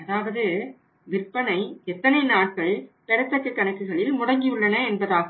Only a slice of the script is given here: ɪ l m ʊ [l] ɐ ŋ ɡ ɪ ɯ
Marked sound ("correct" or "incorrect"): incorrect